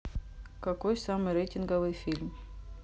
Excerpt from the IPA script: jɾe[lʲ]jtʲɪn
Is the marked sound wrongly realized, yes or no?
yes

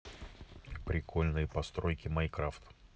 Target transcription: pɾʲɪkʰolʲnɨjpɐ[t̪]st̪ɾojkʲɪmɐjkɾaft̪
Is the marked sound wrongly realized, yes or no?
yes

